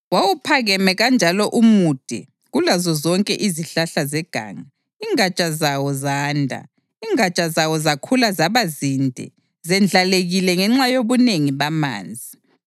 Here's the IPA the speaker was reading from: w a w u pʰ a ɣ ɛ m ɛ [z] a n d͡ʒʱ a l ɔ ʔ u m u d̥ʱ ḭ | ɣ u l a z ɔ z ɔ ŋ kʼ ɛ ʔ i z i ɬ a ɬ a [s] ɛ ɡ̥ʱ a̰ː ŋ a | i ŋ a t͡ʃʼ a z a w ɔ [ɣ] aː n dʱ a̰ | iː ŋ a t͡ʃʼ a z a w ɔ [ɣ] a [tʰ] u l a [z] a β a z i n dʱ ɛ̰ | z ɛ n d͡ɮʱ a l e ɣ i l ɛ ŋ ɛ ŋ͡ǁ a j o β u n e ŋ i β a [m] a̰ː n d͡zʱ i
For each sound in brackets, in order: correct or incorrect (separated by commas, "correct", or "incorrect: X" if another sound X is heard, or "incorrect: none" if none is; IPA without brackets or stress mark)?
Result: incorrect: ɣ, incorrect: z, incorrect: z, incorrect: z, incorrect: kʰ, correct, correct